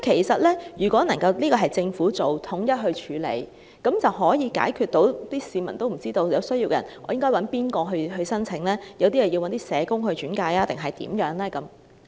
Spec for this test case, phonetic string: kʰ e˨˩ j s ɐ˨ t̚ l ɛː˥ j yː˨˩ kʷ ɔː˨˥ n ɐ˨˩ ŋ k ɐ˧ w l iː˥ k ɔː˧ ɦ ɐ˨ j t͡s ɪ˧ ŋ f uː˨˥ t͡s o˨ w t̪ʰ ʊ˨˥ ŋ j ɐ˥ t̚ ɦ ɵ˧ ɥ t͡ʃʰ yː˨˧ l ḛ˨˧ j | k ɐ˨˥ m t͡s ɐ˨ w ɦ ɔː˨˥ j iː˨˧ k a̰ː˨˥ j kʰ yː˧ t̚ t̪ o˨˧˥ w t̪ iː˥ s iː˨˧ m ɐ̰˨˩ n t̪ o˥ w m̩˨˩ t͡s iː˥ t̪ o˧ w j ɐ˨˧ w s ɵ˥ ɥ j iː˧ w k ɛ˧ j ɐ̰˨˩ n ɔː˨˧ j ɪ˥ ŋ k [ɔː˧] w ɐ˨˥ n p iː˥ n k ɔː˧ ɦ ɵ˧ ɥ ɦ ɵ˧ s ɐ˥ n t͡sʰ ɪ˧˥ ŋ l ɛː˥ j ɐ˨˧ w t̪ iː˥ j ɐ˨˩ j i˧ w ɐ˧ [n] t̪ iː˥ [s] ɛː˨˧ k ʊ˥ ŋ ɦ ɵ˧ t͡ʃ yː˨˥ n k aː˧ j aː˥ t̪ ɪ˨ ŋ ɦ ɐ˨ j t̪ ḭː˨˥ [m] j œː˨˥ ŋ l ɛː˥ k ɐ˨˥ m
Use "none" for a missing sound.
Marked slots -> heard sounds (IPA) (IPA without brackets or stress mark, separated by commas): ɔː˥, n, s, m